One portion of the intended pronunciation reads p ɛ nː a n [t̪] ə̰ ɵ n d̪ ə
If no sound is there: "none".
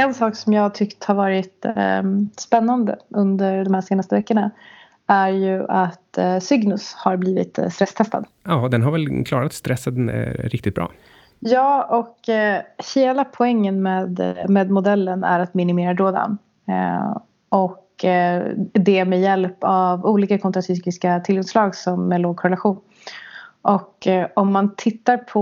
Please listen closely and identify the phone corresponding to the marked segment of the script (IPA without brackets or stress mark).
d̪